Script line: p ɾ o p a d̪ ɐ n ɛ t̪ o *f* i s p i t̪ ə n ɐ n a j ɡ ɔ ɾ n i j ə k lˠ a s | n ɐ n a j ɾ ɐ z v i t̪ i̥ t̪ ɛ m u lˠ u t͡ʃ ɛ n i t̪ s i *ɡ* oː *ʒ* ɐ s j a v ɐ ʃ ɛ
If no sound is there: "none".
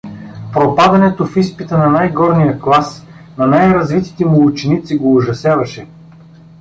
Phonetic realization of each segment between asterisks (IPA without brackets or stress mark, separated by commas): f, ɡ, ʒ